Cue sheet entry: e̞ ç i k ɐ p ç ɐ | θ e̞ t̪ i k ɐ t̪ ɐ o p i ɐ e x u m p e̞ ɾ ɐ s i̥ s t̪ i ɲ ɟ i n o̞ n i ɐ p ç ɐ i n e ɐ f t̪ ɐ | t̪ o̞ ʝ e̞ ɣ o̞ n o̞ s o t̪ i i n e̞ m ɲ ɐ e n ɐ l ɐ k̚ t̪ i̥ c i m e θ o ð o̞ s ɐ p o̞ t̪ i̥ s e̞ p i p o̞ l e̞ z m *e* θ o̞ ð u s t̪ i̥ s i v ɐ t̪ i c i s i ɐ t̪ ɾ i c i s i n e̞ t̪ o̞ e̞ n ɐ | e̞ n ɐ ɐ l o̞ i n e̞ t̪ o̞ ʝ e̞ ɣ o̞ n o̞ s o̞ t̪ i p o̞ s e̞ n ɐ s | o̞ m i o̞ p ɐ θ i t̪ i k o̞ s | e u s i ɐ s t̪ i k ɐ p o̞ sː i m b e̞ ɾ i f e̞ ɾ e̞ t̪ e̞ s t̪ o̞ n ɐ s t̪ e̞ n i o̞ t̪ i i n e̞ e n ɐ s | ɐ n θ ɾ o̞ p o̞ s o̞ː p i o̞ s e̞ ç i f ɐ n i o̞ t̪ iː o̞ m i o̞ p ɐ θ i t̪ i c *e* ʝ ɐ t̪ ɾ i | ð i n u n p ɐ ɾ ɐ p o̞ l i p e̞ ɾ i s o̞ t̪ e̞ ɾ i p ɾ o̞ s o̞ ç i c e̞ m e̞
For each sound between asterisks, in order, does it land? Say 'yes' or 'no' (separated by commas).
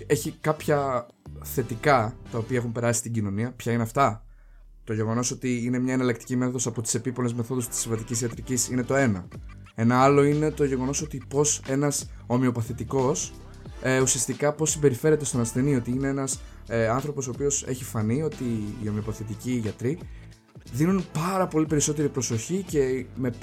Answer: yes, no